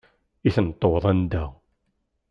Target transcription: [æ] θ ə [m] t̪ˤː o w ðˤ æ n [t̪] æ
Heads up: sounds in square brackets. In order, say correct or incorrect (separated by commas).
incorrect, incorrect, incorrect